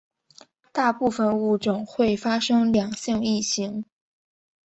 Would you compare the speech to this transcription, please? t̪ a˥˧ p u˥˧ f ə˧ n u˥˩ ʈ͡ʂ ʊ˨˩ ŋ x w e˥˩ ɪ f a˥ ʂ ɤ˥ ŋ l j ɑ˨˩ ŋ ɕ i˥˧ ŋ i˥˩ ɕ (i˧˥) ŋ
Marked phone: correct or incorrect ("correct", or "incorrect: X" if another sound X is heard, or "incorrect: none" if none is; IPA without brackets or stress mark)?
correct